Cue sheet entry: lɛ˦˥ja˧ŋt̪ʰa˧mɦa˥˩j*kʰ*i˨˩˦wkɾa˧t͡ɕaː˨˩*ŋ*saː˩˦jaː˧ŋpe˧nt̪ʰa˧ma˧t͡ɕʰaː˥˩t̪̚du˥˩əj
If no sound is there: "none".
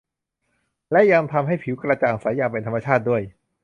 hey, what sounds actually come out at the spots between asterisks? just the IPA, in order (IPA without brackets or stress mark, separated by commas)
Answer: pʰ, ŋ